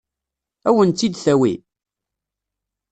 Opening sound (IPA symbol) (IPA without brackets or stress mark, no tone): æ